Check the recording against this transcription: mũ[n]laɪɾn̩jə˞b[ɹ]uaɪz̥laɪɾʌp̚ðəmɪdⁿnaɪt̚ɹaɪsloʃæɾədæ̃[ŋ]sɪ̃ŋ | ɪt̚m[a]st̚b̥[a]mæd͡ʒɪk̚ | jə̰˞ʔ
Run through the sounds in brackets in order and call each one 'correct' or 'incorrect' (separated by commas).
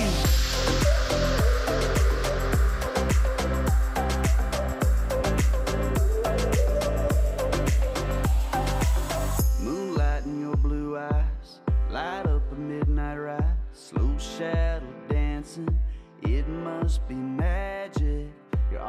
correct, incorrect, incorrect, incorrect, incorrect